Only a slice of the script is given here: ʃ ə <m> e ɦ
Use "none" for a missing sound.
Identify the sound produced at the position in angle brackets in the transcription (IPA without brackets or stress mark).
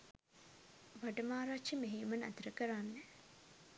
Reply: m